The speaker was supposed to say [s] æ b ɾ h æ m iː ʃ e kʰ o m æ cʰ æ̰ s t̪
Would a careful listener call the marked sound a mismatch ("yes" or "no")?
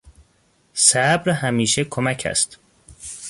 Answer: no